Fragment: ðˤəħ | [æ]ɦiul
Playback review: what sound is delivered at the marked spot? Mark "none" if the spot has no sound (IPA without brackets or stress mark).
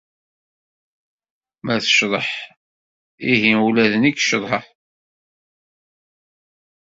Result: i